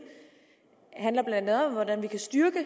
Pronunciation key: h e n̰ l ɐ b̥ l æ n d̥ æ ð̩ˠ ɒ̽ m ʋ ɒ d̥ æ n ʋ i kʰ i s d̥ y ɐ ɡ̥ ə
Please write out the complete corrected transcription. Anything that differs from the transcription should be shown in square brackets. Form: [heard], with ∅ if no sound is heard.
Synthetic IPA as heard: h [æ] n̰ l ɐ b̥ l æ n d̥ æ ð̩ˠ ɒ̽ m ʋ ɒ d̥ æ n ʋ i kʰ [æ] s d̥ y ɐ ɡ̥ ə